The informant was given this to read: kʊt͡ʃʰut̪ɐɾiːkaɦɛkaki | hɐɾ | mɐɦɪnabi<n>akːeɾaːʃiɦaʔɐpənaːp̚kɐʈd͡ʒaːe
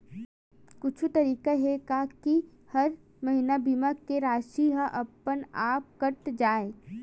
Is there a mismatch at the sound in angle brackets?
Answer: yes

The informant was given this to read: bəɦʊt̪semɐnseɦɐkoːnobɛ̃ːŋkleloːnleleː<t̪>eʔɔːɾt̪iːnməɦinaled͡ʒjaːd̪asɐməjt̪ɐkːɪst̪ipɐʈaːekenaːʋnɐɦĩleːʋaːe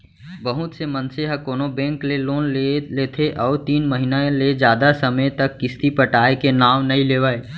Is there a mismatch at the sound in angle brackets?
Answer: yes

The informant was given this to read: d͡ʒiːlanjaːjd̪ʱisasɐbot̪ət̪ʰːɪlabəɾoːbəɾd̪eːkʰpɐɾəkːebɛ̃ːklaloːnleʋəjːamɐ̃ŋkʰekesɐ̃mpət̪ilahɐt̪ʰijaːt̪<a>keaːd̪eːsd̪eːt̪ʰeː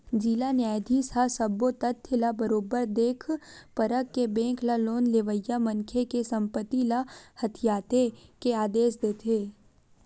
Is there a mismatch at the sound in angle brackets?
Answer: yes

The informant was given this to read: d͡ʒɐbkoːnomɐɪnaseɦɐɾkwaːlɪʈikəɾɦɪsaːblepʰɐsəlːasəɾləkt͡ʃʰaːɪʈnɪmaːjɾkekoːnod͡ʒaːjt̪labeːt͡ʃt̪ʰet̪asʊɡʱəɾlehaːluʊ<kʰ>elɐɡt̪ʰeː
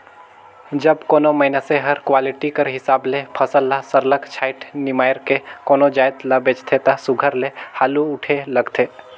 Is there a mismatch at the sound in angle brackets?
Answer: yes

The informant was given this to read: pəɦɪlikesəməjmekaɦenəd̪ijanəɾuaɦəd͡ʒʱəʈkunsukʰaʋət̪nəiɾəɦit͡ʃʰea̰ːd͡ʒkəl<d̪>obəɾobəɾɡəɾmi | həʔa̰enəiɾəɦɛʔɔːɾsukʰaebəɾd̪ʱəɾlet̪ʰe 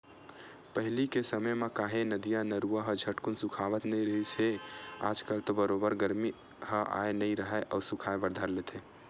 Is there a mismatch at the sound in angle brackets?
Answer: yes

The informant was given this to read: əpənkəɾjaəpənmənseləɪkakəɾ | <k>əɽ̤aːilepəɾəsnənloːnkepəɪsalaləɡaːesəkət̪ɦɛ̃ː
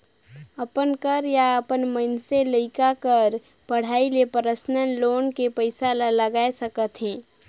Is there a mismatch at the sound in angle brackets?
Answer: yes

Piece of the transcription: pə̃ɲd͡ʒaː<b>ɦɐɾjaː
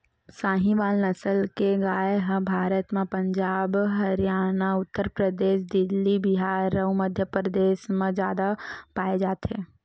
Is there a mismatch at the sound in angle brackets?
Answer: no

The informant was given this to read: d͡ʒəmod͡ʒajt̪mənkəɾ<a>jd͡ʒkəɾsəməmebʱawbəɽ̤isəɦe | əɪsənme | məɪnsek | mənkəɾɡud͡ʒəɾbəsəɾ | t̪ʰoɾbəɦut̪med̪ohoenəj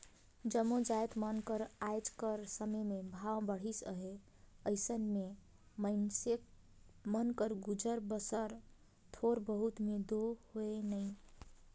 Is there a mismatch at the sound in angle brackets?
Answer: no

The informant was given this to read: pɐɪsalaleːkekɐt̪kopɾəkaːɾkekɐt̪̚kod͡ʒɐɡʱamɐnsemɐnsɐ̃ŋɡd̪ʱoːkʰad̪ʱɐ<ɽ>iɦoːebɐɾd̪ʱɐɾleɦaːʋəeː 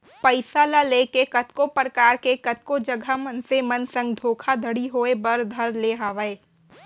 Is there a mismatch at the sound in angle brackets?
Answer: no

